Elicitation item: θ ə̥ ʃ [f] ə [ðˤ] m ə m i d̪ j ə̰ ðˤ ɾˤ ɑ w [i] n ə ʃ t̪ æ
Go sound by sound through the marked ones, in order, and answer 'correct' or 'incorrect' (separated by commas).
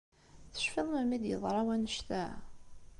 correct, correct, incorrect